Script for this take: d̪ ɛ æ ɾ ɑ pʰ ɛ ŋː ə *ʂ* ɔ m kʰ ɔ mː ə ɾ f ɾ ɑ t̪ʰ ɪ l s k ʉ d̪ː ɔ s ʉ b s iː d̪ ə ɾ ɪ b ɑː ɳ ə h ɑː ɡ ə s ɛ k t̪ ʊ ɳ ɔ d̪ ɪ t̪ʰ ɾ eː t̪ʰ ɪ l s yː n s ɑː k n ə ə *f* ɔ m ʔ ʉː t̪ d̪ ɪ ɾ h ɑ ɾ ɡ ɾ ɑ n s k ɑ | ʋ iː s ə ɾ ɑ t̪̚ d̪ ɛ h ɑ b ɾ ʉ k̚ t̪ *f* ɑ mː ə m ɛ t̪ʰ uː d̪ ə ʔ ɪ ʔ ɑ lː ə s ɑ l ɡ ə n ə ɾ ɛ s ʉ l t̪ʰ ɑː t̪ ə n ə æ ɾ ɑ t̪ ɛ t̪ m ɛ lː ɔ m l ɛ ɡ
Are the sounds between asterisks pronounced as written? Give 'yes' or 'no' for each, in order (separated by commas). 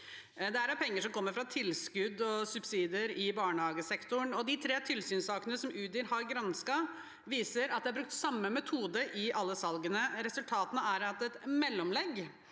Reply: yes, no, no